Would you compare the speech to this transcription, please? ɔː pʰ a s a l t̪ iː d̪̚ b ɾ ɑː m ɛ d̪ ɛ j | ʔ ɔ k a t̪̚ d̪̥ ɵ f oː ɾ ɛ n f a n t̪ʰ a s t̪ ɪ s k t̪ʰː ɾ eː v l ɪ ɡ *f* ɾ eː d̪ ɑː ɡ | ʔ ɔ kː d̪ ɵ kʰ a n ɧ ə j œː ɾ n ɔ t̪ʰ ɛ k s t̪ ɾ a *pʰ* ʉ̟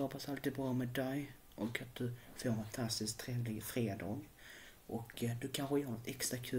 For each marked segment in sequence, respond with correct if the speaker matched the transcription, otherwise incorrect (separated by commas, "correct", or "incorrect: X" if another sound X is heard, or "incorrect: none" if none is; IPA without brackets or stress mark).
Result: correct, incorrect: kʰ